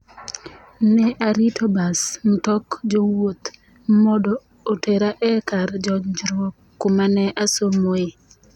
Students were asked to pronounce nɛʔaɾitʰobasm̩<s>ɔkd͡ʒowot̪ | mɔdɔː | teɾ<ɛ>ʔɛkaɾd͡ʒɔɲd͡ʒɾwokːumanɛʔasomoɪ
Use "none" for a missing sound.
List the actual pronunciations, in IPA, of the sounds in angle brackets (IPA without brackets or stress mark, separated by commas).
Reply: t, a